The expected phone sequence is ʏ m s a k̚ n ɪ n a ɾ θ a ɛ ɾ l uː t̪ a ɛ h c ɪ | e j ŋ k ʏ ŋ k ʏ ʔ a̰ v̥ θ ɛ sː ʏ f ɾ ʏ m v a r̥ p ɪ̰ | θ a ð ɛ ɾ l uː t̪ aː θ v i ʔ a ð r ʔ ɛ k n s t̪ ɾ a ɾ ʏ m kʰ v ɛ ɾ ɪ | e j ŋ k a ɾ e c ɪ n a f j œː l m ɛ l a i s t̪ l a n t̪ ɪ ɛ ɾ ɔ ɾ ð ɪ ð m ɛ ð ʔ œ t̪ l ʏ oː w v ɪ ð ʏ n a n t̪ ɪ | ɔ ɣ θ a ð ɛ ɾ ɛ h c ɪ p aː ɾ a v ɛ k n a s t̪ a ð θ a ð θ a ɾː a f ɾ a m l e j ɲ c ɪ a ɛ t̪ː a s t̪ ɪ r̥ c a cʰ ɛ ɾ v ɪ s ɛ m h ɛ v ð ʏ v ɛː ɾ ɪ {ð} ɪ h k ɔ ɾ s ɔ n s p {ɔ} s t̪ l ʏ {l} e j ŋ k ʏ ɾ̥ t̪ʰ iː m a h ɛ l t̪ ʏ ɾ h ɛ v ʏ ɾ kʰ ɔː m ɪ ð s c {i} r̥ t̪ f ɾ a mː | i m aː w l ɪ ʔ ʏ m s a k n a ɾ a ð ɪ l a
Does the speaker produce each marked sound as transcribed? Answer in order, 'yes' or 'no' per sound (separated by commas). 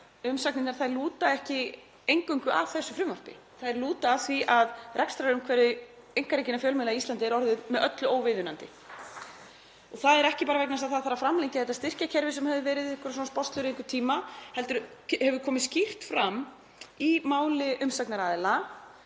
yes, yes, no, yes